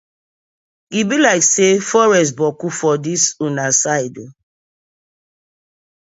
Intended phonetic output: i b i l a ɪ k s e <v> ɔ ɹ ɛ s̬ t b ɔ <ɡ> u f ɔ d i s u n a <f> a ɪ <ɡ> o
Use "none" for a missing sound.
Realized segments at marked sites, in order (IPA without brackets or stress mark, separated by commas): f, k, s, d